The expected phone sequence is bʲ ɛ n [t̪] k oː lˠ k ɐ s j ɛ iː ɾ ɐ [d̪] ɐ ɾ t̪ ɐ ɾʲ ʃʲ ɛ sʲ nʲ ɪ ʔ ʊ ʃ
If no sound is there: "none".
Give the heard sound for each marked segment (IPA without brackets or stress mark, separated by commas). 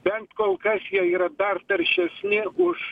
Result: t̪, d̪